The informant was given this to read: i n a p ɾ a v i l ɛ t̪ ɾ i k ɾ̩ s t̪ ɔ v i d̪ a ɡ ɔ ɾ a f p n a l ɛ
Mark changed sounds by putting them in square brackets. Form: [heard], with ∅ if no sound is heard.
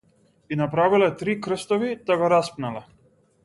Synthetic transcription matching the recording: i n a p ɾ a v i l ɛ t̪ ɾ i k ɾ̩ s t̪ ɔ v i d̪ a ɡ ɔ ɾ a [s] p n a l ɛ

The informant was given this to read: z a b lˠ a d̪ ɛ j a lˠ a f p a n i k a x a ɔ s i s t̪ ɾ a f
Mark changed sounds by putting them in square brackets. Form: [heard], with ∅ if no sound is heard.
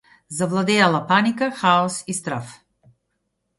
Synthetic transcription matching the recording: z a [v] lˠ a d̪ ɛ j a lˠ a [∅] p a n i k a x a ɔ s i s t̪ ɾ a f

